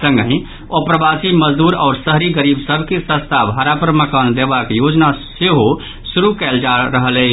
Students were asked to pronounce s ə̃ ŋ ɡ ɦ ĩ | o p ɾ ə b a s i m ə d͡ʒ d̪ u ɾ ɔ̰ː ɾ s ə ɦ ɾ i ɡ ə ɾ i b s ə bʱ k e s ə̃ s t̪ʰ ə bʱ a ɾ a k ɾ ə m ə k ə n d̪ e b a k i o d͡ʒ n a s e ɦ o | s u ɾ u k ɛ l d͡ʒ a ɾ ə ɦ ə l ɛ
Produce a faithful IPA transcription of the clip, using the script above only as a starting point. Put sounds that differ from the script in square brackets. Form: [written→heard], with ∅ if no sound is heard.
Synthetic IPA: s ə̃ ŋ ɡ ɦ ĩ | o p ɾ ə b a s i m ə d͡ʒ d̪ u ɾ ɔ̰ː ɾ s ə ɦ ɾ i ɡ ə ɾ i b s ə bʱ k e s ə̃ s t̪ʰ [ə→a] bʱ a ɾ a [k→p] ɾ ə m ə k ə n d̪ e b a k [i→j] o d͡ʒ n a s e ɦ o | s u ɾ u k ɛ l d͡ʒ a ɾ ə ɦ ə l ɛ